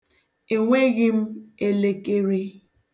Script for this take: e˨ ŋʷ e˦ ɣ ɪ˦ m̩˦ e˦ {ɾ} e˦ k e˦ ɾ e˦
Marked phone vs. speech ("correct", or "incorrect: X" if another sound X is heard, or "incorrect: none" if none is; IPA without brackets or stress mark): incorrect: l